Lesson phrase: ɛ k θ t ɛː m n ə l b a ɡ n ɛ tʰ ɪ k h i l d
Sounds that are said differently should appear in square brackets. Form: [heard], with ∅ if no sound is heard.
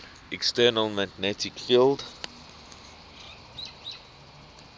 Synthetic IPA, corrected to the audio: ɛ k [s] t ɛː [∅] n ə l [m] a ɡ n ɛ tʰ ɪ k [f] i l d